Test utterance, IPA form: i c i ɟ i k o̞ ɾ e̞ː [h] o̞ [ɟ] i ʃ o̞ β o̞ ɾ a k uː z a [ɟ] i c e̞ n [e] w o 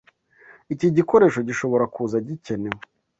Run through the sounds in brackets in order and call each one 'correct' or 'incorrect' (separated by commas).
incorrect, correct, correct, correct